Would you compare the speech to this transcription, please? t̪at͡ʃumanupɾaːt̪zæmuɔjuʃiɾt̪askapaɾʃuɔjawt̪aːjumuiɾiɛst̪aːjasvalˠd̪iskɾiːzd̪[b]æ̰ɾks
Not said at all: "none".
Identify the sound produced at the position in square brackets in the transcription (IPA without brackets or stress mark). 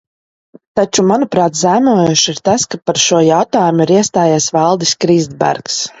b